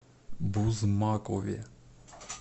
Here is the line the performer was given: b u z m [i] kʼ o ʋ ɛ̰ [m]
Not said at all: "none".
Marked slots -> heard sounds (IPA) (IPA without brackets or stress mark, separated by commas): a, none